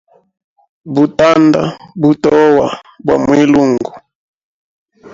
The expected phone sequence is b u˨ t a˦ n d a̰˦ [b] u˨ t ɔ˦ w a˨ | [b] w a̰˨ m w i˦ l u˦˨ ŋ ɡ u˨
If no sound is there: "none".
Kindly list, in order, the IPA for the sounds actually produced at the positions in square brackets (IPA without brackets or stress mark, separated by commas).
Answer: b, b